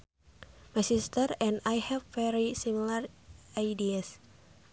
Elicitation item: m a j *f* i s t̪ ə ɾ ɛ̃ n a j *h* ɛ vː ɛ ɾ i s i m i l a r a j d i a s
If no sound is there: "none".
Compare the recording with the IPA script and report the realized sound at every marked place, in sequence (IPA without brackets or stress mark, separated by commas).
s, h